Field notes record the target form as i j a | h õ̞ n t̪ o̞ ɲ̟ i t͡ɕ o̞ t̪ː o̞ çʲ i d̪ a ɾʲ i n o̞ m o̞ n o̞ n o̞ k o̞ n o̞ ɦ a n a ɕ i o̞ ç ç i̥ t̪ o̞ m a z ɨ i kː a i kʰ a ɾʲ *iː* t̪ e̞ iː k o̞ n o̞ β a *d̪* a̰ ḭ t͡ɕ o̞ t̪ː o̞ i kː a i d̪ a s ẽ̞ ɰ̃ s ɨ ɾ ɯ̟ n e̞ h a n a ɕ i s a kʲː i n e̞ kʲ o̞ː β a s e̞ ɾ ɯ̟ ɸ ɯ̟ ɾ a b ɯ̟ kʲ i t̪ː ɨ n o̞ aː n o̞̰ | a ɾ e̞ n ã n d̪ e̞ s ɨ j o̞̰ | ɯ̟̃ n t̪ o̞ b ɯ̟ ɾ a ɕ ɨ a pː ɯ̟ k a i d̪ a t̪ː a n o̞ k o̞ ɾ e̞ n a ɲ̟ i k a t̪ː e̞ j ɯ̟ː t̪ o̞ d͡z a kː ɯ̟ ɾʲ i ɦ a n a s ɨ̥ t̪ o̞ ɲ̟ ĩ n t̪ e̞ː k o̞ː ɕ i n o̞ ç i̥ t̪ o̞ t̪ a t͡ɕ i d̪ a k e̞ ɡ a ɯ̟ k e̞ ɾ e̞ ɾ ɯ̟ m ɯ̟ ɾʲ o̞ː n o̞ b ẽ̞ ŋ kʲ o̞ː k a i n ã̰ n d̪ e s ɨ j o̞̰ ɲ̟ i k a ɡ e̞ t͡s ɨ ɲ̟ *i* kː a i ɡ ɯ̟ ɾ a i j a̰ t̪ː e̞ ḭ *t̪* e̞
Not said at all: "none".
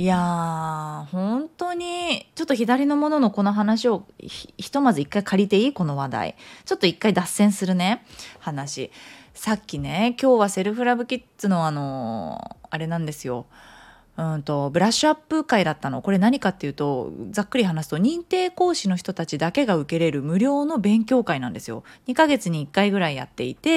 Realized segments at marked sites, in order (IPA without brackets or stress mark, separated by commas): i, d̪, iː, t̪